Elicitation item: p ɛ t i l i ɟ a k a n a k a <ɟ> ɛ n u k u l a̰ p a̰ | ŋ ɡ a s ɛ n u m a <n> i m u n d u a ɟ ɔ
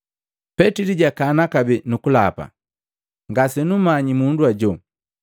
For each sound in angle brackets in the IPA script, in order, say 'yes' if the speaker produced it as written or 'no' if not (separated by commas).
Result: no, no